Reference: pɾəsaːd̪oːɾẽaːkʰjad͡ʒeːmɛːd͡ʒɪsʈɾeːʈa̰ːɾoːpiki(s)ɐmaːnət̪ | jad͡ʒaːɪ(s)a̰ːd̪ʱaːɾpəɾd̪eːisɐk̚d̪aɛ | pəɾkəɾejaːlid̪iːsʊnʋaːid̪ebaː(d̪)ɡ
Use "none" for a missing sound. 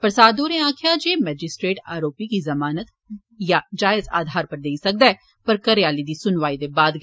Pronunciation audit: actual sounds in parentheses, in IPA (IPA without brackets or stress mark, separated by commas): z, z, d̪